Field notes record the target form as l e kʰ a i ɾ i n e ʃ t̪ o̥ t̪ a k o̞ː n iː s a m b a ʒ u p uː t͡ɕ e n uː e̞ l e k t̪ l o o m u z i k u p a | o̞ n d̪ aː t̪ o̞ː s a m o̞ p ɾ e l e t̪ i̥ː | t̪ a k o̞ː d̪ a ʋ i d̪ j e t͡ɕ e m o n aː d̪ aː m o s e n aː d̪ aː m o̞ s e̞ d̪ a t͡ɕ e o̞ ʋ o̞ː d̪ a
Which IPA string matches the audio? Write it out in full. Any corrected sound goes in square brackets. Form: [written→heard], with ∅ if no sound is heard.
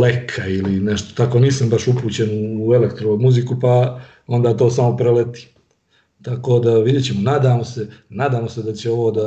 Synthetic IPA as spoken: l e kʰ a i [ɾ→l] i n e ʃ t̪ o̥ t̪ a k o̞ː n iː s a m b a [ʒ→ʃ] u p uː t͡ɕ e n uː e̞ l e k t̪ [l→ɾ] o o m u z i k u p a | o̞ n d̪ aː t̪ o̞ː s a m o̞ p ɾ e l e t̪ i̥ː | t̪ a k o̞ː d̪ a ʋ i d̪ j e t͡ɕ e m o n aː d̪ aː m o s e n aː d̪ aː m o̞ s e̞ d̪ a t͡ɕ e o̞ ʋ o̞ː d̪ a